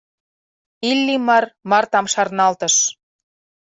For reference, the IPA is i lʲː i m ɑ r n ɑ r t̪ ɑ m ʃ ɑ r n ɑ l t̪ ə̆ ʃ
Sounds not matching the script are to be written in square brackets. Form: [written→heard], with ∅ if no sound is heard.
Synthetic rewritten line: i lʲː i m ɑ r [n→m] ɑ r t̪ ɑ m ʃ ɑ r n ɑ l t̪ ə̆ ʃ